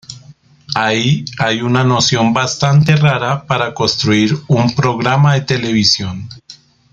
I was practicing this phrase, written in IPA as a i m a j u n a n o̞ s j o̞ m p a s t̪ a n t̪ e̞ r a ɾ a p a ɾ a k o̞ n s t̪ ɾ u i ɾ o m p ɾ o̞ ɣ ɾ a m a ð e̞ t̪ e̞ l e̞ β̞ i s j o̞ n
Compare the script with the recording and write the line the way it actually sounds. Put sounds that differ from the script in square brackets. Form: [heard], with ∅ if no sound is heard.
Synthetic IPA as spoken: a i [∅] a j u n a n o̞ s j o̞ m [b] a s t̪ a n t̪ e̞ r a ɾ a p a ɾ a k o̞ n s t̪ ɾ u i ɾ [u] m p ɾ o̞ ɣ ɾ a m a ð e̞ t̪ e̞ l e̞ β̞ i s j o̞ n